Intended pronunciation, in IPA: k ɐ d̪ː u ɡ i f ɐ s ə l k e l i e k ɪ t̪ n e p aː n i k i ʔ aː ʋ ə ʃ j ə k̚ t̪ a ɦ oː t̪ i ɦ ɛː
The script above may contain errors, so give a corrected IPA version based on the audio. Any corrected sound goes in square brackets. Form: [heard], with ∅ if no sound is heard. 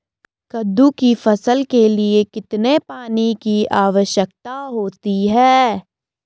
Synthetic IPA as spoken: k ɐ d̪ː u [k] i f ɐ s ə l k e l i e k ɪ t̪ n e p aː n i k i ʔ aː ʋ ə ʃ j ə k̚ t̪ a ɦ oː t̪ i ɦ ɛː